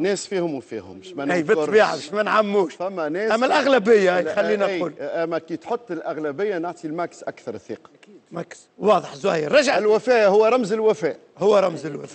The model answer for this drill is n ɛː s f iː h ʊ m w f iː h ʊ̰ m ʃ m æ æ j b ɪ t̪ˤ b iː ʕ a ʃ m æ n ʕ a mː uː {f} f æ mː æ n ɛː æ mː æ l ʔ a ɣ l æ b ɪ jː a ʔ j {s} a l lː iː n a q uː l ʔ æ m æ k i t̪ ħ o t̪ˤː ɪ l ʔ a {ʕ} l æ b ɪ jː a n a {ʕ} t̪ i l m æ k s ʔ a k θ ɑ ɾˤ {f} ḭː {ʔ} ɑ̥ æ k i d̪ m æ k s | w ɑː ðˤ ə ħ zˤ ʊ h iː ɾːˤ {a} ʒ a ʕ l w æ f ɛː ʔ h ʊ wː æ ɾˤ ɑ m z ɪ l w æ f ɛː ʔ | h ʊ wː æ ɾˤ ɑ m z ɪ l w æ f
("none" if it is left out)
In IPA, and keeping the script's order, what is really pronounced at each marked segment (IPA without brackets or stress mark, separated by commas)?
ʃ, x, ɣ, ʕ, θ, q, ɑ